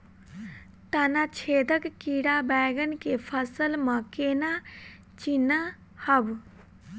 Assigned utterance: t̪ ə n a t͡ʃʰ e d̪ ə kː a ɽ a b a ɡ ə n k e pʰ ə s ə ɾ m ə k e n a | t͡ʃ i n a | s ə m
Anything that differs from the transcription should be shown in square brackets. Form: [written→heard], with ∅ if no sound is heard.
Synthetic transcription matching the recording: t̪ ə n a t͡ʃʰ e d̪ ə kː [a→i] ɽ a b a ɡ ə n k e pʰ ə s ə [ɾ→l] m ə k e n a | t͡ʃ i n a | [s→h] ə [m→b]